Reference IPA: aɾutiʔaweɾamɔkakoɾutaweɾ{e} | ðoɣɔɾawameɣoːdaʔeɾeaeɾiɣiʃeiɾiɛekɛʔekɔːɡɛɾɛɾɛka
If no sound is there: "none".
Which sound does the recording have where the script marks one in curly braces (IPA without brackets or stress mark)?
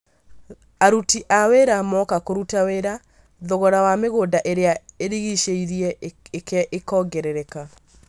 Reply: a